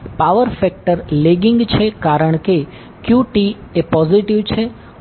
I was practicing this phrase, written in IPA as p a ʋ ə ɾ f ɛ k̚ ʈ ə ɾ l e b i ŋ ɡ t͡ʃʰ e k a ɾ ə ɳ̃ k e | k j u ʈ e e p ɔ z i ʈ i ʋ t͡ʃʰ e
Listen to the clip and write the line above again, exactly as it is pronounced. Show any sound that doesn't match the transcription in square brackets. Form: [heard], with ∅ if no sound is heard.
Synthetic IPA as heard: p a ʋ ə ɾ f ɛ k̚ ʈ ə ɾ l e [ɡ] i ŋ ɡ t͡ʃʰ e k a ɾ ə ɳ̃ k e | k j u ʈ [i] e p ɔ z i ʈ i ʋ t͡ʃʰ e